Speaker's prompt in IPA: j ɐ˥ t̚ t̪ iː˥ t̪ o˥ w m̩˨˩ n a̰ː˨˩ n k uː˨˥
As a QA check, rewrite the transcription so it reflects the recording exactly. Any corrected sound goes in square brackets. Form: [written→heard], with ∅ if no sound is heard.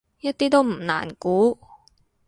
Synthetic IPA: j ɐ˥ t̚ t̪ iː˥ t̪ o˥ w m̩˨˩ n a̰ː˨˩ n k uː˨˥